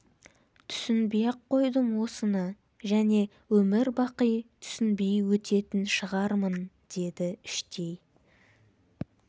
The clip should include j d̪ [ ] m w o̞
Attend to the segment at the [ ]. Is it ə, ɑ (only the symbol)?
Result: ə